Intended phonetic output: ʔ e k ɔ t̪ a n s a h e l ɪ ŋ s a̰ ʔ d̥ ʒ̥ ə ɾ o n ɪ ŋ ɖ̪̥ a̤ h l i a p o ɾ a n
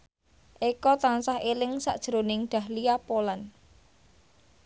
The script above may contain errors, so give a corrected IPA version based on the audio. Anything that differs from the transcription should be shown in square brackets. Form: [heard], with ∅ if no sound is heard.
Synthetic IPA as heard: ʔ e k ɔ t̪ a n s a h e l ɪ ŋ s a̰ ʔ d̥ ʒ̥ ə ɾ o n ɪ ŋ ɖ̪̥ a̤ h l i a p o [l] a n